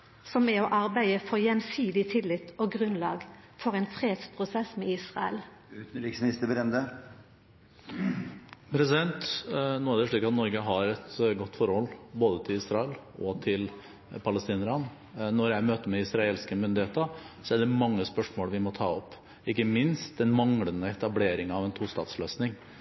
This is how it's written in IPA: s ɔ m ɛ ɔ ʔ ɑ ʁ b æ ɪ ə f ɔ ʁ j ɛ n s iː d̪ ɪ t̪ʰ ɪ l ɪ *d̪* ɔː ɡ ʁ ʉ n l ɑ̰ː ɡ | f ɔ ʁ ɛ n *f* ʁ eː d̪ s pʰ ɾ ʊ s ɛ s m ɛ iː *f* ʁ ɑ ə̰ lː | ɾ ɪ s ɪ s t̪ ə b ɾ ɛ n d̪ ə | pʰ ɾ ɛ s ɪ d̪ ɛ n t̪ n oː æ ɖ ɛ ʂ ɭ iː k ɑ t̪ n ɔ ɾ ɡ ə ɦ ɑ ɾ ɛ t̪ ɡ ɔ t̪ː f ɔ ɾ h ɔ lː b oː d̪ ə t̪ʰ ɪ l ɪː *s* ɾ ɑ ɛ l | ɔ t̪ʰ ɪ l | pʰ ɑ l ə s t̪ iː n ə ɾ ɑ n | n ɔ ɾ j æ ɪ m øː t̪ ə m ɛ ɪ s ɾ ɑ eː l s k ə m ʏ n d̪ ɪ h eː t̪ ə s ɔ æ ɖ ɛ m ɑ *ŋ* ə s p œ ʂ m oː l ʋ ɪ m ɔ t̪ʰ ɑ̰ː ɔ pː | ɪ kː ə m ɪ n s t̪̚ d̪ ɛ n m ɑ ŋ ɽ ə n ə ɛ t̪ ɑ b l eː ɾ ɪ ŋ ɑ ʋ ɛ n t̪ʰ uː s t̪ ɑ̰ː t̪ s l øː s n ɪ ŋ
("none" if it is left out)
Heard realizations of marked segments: t̪, f, s, s, ŋː

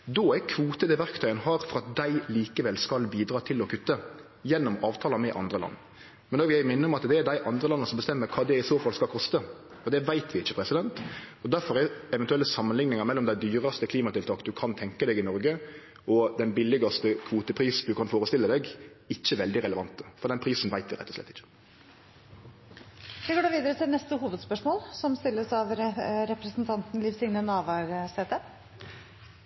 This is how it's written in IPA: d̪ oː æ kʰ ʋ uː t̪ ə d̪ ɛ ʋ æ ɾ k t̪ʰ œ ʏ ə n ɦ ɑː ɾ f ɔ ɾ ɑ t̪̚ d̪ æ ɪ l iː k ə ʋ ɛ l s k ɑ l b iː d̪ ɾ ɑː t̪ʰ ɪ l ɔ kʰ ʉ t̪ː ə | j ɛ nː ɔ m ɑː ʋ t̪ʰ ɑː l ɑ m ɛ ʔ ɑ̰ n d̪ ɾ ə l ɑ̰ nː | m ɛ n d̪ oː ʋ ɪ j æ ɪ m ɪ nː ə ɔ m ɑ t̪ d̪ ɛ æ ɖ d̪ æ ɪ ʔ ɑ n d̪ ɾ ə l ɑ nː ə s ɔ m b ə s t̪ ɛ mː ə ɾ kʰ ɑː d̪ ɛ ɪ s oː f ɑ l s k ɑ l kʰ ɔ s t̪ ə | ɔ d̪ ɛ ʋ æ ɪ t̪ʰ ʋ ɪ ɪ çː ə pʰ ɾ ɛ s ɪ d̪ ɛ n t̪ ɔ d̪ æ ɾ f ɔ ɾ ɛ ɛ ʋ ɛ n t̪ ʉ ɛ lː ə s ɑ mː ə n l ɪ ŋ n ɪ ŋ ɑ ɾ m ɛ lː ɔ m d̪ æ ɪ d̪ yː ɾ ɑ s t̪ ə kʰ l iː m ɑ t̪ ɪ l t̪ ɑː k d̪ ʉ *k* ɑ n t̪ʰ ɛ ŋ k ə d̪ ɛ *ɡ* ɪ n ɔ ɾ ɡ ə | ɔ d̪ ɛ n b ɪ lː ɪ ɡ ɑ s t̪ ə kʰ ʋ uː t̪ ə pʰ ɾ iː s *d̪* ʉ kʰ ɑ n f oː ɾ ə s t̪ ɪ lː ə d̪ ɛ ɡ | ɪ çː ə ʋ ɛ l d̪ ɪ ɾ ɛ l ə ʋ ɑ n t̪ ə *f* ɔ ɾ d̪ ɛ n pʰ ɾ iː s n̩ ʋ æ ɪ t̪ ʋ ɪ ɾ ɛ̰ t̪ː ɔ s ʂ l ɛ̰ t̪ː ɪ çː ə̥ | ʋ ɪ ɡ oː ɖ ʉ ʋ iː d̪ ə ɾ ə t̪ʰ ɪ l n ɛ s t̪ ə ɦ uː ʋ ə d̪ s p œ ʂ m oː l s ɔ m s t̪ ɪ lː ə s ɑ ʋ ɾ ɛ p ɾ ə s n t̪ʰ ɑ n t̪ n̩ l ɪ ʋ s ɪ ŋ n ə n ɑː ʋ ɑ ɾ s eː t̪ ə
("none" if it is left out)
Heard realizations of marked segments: kʰ, ɡ, d̪, f

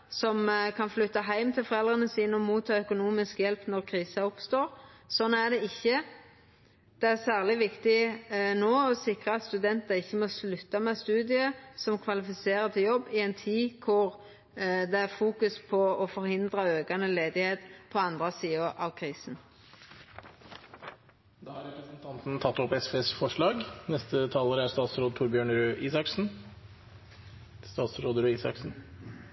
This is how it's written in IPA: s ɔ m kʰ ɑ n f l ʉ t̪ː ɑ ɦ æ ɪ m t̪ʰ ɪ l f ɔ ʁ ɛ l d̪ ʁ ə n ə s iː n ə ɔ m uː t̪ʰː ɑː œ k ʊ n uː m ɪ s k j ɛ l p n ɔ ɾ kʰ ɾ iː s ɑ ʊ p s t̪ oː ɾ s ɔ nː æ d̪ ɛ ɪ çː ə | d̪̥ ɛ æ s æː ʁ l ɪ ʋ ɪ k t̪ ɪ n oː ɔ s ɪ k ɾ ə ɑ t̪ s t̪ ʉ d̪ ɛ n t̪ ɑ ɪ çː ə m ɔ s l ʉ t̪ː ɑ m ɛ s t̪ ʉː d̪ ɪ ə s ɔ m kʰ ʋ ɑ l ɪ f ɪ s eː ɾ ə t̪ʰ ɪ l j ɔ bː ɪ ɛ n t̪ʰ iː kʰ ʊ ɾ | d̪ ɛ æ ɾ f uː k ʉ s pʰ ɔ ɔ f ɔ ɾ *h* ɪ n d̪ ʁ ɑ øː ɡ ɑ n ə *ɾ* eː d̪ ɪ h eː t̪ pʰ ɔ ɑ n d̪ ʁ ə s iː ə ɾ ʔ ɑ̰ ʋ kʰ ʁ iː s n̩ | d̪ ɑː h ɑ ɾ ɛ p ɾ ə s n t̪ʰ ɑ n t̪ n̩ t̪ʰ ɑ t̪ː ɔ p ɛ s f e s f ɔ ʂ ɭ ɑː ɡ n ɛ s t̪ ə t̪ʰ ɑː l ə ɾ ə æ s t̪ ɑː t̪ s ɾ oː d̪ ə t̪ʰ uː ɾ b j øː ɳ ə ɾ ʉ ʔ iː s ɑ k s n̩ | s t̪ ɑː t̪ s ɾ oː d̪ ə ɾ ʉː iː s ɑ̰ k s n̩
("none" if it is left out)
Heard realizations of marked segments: h, l

